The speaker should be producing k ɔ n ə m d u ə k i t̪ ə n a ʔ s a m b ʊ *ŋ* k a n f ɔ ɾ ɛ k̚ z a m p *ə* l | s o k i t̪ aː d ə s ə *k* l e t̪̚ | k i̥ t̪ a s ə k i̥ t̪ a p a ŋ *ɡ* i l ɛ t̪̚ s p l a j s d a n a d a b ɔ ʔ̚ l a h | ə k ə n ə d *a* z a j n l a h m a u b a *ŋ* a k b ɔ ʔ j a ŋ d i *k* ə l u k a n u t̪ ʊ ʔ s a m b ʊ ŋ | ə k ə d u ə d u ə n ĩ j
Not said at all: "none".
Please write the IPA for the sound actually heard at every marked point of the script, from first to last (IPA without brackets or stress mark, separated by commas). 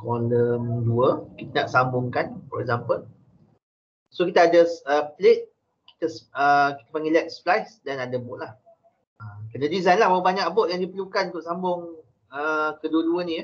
ŋ, ə, p, ɡ, i, ɲ, p